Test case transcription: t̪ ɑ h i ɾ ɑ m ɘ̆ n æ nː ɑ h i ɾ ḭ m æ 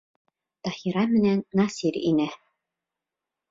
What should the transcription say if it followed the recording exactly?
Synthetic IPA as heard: t̪ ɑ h i ɾ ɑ m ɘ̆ n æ nː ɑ s i ɾ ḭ n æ